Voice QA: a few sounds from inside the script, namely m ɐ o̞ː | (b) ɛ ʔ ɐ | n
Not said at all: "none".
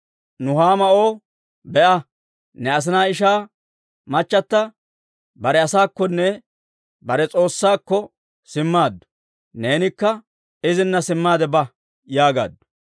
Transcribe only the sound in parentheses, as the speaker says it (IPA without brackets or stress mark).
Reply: b